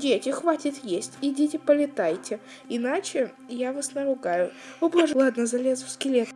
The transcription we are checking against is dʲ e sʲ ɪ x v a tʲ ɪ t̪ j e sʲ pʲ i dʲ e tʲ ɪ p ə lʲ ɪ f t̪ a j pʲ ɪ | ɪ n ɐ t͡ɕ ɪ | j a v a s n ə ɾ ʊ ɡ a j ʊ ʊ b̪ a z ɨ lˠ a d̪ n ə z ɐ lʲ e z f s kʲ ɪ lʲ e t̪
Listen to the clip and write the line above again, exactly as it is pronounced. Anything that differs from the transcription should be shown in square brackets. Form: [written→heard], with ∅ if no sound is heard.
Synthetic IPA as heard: dʲ e [sʲ→tʲ] ɪ x v a tʲ ɪ t̪ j e sʲ [pʲ→tʲ] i dʲ e tʲ ɪ p ə lʲ ɪ [f→∅] t̪ a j [pʲ→tʲ] ɪ | ɪ n [ɐ→a] t͡ɕ ɪ | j a v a s n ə ɾ ʊ ɡ a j ʊ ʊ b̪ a [z→ʐ] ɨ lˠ a d̪ n ə z ɐ lʲ e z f s kʲ ɪ lʲ e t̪

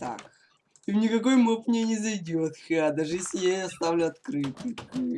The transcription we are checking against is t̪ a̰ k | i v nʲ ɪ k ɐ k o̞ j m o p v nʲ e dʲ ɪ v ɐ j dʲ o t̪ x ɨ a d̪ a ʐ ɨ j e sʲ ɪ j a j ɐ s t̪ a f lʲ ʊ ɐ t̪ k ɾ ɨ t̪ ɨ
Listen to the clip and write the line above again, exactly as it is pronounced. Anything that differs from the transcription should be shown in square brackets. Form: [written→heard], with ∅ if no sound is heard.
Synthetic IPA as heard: t̪ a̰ k | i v nʲ ɪ k ɐ k o̞ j m o p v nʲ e [dʲ→nʲ] ɪ [v→z] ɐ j dʲ o t̪ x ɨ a d̪ a ʐ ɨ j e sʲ ɪ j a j ɐ s t̪ a [f→v] lʲ ʊ ɐ t̪ k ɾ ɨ t̪ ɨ

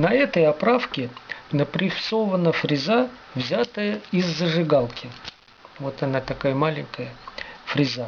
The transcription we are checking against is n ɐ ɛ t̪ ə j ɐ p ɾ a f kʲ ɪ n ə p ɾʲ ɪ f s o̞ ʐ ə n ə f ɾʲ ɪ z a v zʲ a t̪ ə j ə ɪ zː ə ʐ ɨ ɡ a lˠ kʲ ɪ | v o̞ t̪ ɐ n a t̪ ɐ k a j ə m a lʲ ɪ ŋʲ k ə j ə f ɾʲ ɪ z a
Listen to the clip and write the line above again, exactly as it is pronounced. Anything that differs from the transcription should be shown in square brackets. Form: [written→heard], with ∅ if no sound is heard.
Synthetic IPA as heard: n ɐ ɛ t̪ ə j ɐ p ɾ a f kʲ ɪ n ə p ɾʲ ɪ f s o̞ [ʐ→v] ə n ə f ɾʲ ɪ z a v zʲ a t̪ ə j ə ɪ zː ə ʐ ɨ ɡ a lˠ kʲ ɪ | v o̞ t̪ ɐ n a t̪ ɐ k a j ə m a lʲ ɪ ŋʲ k ə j ə f ɾʲ ɪ z a

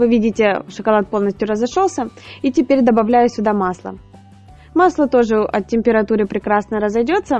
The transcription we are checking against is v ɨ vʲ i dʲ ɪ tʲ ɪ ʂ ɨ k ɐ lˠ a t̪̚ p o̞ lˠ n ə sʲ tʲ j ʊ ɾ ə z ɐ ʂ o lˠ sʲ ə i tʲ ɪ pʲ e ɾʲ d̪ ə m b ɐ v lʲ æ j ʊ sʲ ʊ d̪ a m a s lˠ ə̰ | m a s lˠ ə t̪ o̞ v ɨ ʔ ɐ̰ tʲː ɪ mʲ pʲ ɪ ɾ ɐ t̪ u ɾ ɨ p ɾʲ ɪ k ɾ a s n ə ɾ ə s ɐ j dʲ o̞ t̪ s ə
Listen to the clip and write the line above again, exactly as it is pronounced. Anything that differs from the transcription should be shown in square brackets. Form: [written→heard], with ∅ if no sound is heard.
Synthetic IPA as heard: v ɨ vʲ i dʲ ɪ tʲ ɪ ʂ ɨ k ɐ lˠ a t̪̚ p o̞ lˠ n ə sʲ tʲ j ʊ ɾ ə z ɐ ʂ o lˠ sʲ ə i tʲ ɪ pʲ e ɾʲ d̪ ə [m→∅] b ɐ v lʲ æ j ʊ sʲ ʊ d̪ a m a s lˠ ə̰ | m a s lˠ ə t̪ o̞ [v→ʐ] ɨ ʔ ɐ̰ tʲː ɪ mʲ pʲ ɪ ɾ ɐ t̪ u ɾ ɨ p ɾʲ ɪ k ɾ a s n ə ɾ ə [s→z] ɐ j dʲ o̞ t̪ s ə

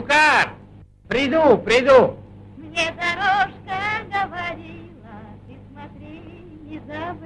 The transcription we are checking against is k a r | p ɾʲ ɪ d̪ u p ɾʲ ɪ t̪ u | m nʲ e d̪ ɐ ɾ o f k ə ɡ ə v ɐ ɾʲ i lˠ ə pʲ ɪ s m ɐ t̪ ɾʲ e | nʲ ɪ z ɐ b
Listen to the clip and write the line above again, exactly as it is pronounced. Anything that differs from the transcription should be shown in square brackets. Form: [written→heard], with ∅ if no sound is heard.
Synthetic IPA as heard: k a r | p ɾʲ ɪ d̪ u p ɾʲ ɪ [t̪→d̪] u | m nʲ e d̪ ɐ ɾ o [f→ʂ] k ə ɡ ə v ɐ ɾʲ i lˠ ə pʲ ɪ s m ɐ t̪ ɾʲ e | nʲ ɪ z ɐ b

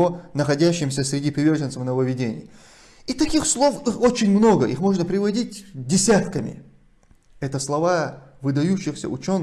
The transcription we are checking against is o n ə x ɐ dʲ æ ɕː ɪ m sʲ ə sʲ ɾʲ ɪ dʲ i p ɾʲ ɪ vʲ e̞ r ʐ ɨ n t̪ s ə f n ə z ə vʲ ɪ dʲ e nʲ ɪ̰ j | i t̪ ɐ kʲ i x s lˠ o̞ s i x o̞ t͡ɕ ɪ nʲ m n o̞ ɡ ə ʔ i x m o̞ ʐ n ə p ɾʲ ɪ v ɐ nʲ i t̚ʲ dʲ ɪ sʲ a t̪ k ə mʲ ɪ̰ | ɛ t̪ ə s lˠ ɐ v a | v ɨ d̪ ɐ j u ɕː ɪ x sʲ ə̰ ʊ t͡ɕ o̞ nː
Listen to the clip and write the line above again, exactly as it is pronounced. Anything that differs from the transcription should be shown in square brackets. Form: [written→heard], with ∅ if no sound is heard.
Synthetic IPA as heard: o n ə x ɐ dʲ æ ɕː ɪ m sʲ ə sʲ ɾʲ ɪ dʲ i p ɾʲ ɪ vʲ e̞ r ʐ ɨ n t̪ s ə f n ə [z→v] ə vʲ ɪ dʲ e nʲ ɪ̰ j | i t̪ ɐ kʲ i x s lˠ o̞ [s→f] i x o̞ t͡ɕ ɪ nʲ m n o̞ ɡ ə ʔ i x m o̞ ʐ n ə p ɾʲ ɪ v ɐ [nʲ→dʲ] i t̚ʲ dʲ ɪ sʲ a t̪ k ə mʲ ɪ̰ | ɛ t̪ ə s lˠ ɐ v a | v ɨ d̪ ɐ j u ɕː ɪ x sʲ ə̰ ʊ t͡ɕ o̞ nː

